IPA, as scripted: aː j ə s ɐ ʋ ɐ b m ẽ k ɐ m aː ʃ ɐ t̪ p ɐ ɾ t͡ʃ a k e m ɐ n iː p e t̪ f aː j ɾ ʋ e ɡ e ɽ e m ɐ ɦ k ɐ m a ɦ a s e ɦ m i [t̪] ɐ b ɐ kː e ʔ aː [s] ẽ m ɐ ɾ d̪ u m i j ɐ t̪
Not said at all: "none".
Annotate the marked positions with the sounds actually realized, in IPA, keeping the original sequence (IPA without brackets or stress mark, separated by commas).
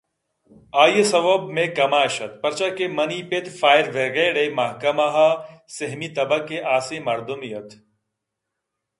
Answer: t̪, s